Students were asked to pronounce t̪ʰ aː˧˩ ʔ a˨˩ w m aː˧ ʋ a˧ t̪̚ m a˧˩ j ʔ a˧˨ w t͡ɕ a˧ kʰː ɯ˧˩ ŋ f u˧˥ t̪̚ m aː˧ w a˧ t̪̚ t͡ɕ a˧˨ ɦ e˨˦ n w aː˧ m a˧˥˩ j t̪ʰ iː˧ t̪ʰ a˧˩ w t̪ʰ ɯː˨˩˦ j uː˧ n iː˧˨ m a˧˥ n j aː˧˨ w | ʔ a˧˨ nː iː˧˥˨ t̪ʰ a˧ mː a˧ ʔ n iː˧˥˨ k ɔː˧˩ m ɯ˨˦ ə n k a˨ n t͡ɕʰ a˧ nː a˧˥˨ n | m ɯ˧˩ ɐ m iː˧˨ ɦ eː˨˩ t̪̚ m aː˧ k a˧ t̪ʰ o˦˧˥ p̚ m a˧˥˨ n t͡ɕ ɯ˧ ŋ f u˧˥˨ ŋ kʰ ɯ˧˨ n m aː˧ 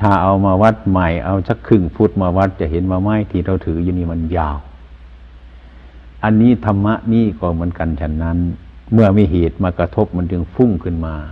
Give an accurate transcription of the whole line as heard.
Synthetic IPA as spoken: t̪ʰ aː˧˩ ʔ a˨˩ w m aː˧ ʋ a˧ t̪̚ m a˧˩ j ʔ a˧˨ w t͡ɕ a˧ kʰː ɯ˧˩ ŋ f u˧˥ t̪̚ m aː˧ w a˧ t̪̚ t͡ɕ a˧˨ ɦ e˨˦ n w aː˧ m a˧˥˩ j t̪ʰ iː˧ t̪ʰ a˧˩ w t̪ʰ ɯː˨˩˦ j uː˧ n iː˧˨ m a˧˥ n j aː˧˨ w | ʔ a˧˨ nː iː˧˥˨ t̪ʰ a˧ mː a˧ ʔ n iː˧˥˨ k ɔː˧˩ m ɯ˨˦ ə n k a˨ n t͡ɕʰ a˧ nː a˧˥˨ n | m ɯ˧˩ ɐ m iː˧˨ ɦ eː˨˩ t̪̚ m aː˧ k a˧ t̪ʰ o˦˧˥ p̚ m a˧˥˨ n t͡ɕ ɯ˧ ŋ f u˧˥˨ ŋ kʰ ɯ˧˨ n m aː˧